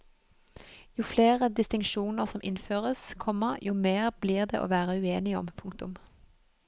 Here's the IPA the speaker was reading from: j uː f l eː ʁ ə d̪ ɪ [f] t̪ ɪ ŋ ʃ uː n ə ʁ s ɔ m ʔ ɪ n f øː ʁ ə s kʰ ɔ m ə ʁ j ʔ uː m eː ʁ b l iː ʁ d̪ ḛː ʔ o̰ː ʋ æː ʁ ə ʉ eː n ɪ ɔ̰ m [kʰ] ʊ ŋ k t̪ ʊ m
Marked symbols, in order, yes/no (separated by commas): no, no